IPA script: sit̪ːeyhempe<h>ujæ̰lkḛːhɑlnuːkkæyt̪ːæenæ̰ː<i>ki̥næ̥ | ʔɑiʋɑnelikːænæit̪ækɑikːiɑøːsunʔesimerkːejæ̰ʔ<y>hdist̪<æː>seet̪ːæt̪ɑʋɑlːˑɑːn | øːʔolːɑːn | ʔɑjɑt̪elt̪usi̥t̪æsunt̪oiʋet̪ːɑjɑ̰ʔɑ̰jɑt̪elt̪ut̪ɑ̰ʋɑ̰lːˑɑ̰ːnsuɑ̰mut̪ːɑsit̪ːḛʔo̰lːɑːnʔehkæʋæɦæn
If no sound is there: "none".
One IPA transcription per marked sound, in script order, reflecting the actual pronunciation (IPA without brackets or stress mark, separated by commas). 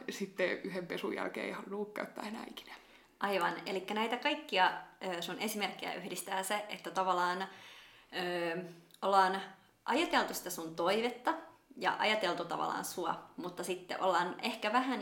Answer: s, i, y, æː